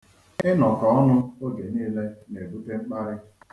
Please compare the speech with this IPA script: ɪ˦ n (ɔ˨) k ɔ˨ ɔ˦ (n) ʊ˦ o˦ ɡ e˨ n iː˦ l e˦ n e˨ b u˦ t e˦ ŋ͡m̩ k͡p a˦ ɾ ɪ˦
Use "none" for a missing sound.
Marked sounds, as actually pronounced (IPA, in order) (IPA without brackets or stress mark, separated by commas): ɔ˨, n